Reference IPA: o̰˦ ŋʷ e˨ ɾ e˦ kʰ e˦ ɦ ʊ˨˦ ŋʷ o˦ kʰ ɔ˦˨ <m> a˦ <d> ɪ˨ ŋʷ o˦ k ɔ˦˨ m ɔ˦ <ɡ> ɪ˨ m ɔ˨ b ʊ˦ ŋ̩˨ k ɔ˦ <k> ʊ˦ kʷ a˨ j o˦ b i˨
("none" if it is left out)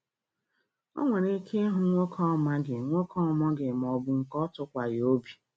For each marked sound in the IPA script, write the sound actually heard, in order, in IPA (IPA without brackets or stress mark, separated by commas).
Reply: m, ɡ, ɡ, t